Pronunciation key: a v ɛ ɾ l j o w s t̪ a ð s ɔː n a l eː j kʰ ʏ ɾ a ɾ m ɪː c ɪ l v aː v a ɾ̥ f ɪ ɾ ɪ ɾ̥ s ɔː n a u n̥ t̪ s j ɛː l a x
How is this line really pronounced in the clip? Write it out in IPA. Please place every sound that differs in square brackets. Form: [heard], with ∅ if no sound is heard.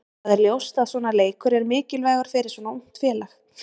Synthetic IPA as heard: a [ð] ɛ ɾ l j o w s t̪ a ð s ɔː n a l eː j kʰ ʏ ɾ [ɛ] ɾ m ɪː c ɪ l v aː [ɣ] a ɾ̥ f ɪ ɾ ɪ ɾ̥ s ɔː n a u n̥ t̪ [f] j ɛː l a x